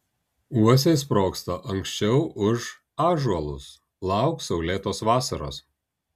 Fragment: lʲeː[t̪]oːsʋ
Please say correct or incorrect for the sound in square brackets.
correct